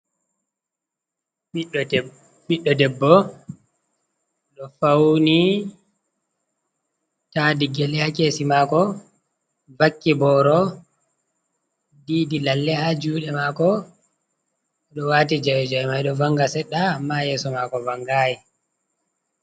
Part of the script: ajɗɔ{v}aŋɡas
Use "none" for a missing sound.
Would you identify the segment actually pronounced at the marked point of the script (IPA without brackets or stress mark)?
v